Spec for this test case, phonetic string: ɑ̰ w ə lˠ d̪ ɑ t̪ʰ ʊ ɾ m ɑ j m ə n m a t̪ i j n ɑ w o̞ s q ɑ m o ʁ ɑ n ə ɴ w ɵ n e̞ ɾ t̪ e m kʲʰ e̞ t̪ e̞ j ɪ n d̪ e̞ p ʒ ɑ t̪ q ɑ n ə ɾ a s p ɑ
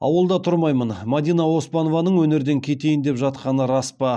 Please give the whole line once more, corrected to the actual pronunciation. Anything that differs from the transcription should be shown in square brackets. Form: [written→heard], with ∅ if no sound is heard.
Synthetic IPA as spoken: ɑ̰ w ə lˠ d̪ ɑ t̪ʰ ʊ ɾ m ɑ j m ə n m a [t̪→d̪] i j n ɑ w o̞ s [q→p] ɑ [m→n] o [ʁ→v] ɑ n ə ɴ w ɵ n e̞ ɾ [t̪→d̪] e [m→ŋ] kʲʰ e̞ t̪ e̞ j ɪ n d̪ e̞ p ʒ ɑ t̪ q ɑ n ə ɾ [a→ɑ] s p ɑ